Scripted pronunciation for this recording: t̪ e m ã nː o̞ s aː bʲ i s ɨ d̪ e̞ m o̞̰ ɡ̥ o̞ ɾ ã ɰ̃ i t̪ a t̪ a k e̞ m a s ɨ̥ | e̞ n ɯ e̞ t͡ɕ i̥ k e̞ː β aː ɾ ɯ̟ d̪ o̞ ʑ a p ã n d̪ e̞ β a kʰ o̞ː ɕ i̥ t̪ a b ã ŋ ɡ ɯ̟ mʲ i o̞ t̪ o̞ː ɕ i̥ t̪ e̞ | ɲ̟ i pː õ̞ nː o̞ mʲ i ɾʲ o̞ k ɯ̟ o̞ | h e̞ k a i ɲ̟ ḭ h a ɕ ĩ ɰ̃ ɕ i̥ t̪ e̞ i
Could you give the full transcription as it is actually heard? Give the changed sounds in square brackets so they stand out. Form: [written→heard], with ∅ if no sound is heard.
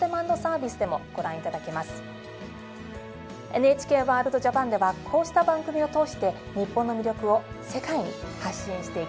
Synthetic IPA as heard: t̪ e m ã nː o̞ s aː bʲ i s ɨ d̪ e̞ m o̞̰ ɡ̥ o̞ ɾ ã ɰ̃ i t̪ a [t̪→d̪] a k e̞ m a s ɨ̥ | e̞ n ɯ e̞ t͡ɕ i̥ k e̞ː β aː ɾ ɯ̟ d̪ o̞ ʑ a p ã n d̪ e̞ β a kʰ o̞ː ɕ i̥ t̪ a b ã ŋ ɡ ɯ̟ mʲ i o̞ t̪ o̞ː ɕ i̥ t̪ e̞ | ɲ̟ i pː õ̞ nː o̞ mʲ i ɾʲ o̞ k ɯ̟ o̞ | [h→s] e̞ k a i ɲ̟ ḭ h a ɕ ĩ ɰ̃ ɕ i̥ t̪ e̞ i